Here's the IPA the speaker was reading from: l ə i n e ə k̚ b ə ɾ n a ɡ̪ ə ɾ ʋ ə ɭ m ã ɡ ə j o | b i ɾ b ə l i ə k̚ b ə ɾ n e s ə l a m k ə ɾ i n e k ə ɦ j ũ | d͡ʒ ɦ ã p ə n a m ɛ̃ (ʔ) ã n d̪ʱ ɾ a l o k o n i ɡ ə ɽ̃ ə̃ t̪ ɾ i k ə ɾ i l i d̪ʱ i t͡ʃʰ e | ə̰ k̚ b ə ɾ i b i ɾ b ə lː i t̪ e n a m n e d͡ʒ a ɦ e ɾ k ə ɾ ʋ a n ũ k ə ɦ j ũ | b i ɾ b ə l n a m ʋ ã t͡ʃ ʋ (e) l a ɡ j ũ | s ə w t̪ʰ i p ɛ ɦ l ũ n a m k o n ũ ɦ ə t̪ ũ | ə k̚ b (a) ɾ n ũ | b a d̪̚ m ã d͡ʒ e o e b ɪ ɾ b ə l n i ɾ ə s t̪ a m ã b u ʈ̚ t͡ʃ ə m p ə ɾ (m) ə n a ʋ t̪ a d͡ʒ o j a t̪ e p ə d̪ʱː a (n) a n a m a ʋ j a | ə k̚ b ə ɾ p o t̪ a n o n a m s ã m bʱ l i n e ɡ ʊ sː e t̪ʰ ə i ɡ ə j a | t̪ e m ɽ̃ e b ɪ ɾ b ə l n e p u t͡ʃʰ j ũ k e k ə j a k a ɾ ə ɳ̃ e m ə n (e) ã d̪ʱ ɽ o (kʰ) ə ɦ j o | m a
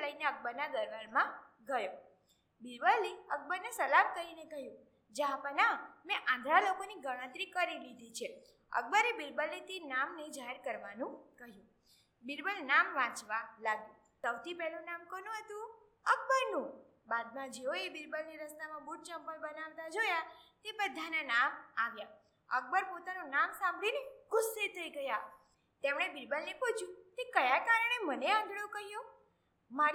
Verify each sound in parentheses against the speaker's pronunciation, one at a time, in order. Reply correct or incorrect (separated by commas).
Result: correct, incorrect, incorrect, incorrect, correct, correct, incorrect